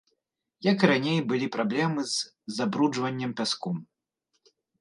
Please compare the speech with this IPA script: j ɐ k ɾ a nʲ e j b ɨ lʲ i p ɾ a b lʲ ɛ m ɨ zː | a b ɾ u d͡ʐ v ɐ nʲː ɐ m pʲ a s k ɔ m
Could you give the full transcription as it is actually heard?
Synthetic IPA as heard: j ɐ k ɾ a nʲ e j b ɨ lʲ i p ɾ a b lʲ ɛ m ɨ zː | a b ɾ u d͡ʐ v ɐ nʲː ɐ m pʲ a s k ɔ m

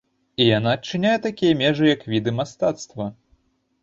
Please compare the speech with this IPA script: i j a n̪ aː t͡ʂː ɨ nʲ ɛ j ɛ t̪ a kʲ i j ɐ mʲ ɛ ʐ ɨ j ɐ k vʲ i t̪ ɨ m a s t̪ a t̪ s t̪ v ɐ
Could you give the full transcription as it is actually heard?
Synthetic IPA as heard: i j a n̪ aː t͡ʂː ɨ nʲ a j ɛ t̪ a kʲ i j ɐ mʲ ɛ ʐ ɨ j ɐ k vʲ i d̪ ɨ m a s t̪ a t̪ s t̪ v ɐ

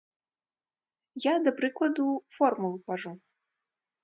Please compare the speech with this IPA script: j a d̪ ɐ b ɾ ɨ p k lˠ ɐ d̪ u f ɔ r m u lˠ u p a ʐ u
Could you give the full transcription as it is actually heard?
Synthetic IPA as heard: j a d̪ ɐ p ɾ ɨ k lˠ ɐ d̪ u f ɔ r m u lˠ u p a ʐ u

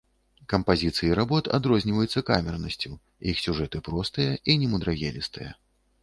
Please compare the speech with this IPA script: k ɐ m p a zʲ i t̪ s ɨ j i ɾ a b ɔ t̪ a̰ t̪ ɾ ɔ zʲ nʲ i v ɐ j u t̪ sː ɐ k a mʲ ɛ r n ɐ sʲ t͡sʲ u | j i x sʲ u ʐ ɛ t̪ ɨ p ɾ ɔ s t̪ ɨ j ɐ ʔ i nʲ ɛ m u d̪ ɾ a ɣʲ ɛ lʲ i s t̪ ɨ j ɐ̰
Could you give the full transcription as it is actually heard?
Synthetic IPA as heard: k ɐ m p a zʲ i t̪ s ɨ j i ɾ a b ɔ t̪ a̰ d̪ ɾ ɔ zʲ nʲ i v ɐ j u t̪ sː ɐ k a mʲ ɛ r n ɐ sʲ t͡sʲ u | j i x sʲ u ʐ ɛ t̪ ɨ p ɾ ɔ s t̪ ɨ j ɐ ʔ i nʲ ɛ m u d̪ ɾ a ɣʲ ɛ lʲ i s t̪ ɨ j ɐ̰

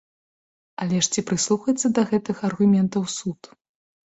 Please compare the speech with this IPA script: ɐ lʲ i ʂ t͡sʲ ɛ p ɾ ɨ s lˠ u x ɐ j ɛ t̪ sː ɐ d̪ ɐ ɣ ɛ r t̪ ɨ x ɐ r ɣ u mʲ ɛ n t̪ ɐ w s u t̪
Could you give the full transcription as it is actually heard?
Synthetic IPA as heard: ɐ lʲ ɛ ʂ t͡sʲ i p ɾ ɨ s lˠ u x ɐ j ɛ t̪ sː ɐ d̪ ɐ ɣ ɛ t̪ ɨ x ɐ r ɣ u mʲ ɛ n t̪ ɐ w s u t̪

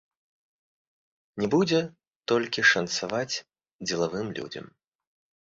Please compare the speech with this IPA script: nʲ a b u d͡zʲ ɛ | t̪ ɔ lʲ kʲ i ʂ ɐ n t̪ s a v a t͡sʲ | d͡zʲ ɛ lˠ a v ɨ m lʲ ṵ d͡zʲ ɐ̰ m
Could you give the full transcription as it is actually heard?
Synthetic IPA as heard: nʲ ɛ b u d͡zʲ ɛ | t̪ ɔ lʲ kʲ i ʂ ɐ n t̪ s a v a t͡sʲ | d͡zʲ ɛ lˠ a v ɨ m lʲ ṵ d͡zʲ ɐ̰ m

